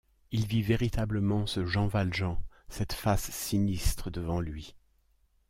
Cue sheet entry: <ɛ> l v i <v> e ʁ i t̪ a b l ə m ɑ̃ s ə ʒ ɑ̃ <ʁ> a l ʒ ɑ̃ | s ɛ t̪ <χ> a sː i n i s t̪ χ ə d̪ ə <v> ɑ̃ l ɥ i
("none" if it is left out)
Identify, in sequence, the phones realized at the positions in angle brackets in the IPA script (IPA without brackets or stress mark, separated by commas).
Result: i, v, v, f, v